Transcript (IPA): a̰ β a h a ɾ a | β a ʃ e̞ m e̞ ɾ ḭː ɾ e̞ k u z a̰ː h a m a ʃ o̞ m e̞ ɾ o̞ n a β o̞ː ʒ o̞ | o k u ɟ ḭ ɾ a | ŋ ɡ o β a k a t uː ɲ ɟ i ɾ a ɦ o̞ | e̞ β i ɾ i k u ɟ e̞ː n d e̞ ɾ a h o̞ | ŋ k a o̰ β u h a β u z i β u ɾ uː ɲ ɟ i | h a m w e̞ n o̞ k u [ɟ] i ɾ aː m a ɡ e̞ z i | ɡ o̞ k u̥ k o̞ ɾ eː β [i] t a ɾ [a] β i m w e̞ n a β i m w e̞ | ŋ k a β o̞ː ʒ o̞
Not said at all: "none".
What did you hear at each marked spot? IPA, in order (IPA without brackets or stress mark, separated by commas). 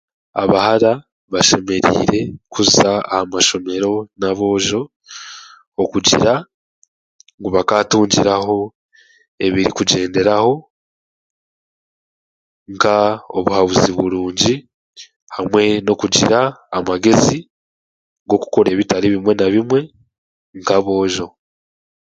ɟ, i, i